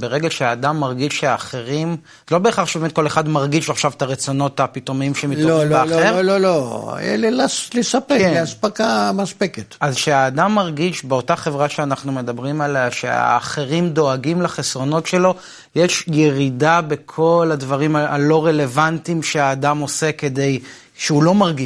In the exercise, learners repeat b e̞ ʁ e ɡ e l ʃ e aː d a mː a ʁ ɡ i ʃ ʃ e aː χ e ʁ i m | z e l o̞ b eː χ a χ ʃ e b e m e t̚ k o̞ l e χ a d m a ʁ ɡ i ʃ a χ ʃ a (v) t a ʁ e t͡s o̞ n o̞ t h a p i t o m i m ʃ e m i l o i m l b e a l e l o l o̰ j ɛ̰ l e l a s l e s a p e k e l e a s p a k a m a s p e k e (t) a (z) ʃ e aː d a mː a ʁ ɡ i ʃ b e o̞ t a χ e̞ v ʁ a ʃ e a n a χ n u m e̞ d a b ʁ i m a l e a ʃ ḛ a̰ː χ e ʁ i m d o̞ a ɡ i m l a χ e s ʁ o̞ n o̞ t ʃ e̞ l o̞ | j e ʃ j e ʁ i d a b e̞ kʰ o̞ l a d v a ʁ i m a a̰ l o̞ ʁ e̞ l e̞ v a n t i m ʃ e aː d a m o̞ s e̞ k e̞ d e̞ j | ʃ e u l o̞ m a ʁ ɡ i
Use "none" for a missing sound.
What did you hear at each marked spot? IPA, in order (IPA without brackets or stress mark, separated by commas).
v, t, z